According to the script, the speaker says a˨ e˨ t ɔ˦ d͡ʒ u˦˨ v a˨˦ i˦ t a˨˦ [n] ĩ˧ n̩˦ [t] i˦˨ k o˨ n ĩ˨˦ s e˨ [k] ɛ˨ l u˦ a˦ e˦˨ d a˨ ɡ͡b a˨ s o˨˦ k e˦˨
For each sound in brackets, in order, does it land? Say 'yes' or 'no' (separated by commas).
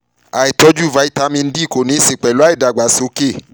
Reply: no, no, no